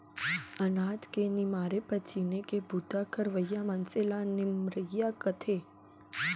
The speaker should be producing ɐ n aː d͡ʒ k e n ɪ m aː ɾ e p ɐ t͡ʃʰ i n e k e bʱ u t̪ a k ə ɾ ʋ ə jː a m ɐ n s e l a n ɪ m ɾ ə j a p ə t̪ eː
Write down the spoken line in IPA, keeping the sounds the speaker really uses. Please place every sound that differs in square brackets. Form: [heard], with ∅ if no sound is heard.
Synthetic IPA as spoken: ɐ n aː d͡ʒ k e n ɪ m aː ɾ e p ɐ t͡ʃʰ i n e k e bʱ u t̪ a k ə ɾ ʋ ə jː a m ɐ n s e l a n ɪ m ɾ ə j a [k] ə [t̪ʰ] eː